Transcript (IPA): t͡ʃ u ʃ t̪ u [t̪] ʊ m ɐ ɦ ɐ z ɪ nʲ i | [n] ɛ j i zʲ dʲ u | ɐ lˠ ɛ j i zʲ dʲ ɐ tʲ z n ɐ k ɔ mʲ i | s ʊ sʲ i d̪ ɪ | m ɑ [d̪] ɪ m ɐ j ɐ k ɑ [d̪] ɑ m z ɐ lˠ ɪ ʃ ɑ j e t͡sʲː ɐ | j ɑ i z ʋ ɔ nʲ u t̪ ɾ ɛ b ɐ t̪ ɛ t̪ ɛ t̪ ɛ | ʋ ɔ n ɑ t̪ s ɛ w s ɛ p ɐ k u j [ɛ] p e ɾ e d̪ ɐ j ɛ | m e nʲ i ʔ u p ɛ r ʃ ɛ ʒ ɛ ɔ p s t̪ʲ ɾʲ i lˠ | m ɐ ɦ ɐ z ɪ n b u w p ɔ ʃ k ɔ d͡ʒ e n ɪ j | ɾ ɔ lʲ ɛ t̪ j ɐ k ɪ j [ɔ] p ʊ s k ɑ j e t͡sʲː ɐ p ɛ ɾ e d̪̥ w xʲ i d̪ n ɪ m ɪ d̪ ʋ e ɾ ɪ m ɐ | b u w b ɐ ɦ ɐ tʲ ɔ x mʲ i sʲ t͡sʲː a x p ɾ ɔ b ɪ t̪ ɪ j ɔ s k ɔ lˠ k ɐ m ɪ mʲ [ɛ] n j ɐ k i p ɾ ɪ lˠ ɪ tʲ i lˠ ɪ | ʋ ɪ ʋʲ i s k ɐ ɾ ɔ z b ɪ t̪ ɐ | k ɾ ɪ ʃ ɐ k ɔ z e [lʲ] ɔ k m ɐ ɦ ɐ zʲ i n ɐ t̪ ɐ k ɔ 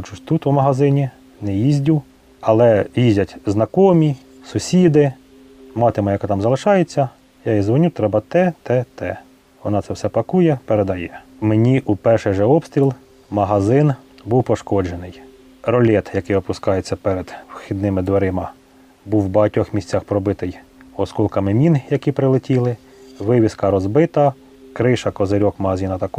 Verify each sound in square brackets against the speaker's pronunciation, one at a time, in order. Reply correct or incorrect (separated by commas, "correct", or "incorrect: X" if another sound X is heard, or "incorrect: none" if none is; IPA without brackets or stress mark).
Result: correct, correct, incorrect: t̪, incorrect: t̪, correct, correct, incorrect: i, incorrect: ɾʲ